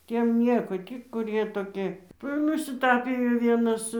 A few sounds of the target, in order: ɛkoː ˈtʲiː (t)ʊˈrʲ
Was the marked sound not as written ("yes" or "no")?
yes